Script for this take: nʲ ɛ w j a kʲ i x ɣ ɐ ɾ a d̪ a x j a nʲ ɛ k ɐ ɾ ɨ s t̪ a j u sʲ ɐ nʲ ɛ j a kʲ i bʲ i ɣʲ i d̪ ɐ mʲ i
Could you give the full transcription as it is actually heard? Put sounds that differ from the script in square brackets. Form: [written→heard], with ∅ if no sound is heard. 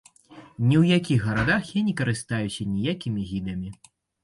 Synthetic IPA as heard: nʲ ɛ w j a kʲ i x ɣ ɐ ɾ a d̪ a x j a nʲ ɛ k ɐ ɾ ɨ s t̪ a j u sʲ ɐ nʲ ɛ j a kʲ i [bʲ→mʲ] i ɣʲ i d̪ ɐ mʲ i